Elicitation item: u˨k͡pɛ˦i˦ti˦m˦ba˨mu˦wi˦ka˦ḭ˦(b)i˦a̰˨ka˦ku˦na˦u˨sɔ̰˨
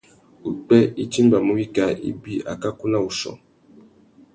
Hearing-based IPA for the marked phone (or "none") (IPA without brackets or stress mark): b